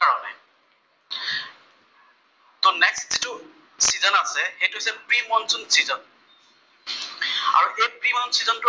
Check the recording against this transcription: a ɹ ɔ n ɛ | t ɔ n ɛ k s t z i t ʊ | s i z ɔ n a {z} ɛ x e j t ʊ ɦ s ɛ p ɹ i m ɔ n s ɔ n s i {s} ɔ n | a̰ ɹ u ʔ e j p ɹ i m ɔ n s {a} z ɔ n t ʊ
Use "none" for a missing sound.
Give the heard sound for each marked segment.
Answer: s, z, i

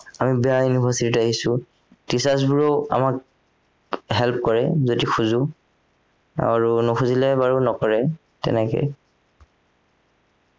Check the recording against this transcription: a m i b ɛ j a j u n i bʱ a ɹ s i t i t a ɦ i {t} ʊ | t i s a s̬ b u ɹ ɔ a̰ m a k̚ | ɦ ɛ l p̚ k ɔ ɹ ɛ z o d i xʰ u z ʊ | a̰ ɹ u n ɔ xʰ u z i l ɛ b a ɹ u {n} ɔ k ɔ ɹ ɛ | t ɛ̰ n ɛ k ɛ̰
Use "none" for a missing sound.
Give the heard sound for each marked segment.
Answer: s, n

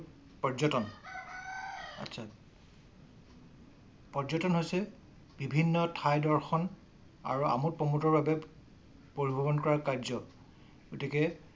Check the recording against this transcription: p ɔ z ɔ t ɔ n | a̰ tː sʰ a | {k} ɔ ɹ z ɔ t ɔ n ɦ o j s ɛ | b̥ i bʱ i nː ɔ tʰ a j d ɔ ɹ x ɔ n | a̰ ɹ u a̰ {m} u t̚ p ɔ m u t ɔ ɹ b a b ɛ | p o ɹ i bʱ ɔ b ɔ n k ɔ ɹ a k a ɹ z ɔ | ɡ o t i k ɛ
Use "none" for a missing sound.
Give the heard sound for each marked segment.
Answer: p, m

